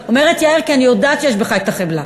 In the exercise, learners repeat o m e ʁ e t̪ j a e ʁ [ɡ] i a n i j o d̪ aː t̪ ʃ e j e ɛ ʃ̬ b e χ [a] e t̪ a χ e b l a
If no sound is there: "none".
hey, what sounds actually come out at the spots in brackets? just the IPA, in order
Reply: k, a

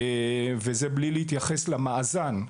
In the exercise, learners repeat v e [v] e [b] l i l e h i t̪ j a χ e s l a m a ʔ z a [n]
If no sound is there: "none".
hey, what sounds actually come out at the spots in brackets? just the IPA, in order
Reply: z, b, n

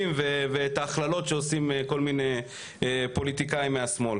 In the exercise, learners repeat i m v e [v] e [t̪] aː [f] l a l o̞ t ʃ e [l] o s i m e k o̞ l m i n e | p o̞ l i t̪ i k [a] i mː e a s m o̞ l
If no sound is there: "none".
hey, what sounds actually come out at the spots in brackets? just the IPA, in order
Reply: v, t̪, χ, none, a

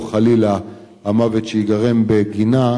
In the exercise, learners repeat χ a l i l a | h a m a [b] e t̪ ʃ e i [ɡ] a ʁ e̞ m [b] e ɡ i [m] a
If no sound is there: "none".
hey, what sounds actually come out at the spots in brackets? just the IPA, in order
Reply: v, ɡ, b, n

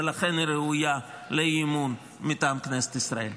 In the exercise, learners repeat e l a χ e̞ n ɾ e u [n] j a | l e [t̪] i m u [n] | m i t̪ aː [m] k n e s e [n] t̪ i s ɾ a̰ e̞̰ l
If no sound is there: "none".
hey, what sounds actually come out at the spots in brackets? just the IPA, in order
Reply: none, none, n, m, none

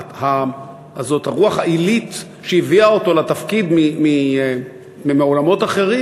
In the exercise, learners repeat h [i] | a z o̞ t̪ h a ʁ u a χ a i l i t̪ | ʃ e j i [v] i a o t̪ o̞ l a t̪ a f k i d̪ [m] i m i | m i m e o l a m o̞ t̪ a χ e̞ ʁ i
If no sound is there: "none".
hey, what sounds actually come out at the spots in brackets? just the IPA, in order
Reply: a, v, m

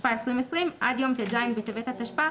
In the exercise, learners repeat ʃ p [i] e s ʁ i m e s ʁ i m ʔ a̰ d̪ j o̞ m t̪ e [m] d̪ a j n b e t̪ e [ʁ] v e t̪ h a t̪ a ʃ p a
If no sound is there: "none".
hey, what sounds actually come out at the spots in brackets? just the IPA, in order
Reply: a, none, none

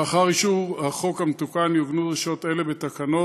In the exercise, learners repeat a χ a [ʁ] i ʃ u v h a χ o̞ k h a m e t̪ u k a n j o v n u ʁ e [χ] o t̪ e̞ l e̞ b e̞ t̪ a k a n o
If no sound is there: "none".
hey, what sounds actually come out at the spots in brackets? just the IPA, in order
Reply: ʁ, ʃ

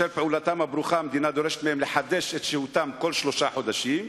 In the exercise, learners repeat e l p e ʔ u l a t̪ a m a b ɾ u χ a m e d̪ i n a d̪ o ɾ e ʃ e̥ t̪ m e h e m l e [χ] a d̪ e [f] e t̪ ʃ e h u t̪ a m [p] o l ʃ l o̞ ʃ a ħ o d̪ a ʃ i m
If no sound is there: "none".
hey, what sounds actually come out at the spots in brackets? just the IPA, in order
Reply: ħ, ʃ, k

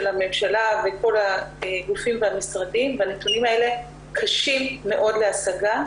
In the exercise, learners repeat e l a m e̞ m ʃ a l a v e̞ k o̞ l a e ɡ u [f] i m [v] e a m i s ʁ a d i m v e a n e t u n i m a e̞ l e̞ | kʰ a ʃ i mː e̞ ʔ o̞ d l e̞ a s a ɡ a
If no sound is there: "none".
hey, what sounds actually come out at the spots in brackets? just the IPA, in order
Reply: f, v

